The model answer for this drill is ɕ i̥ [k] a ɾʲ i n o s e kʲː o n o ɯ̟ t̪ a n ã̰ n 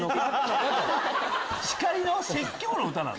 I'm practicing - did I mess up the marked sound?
no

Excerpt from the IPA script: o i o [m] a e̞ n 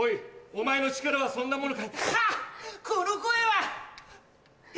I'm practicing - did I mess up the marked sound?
no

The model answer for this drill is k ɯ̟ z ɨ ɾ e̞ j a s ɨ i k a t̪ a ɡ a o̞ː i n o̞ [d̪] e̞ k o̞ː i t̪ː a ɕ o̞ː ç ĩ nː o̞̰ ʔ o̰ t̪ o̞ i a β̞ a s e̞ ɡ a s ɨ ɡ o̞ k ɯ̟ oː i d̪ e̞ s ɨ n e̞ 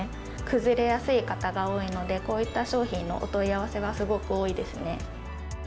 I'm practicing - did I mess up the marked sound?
no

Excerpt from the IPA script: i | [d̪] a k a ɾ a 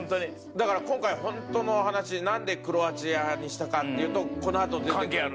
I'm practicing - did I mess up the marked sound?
no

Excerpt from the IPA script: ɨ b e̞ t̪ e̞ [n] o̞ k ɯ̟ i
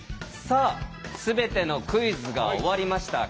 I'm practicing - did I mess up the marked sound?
no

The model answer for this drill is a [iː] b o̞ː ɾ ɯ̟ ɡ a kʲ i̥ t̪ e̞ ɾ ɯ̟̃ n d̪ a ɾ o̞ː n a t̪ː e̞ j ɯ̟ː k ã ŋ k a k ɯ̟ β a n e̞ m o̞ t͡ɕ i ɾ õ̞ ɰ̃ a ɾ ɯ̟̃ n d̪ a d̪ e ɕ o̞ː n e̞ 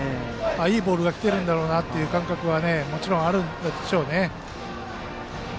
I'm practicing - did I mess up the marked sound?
no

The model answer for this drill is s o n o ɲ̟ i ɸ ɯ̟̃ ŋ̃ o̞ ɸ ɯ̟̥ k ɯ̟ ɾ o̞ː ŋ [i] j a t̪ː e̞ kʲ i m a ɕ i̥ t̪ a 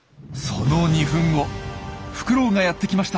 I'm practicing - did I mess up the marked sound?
yes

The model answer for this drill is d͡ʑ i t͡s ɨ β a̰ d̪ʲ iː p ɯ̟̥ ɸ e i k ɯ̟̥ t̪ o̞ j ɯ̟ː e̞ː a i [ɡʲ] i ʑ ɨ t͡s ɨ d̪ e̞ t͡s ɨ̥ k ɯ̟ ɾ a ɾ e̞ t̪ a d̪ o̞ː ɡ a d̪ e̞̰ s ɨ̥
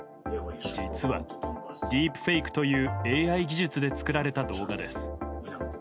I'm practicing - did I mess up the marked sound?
no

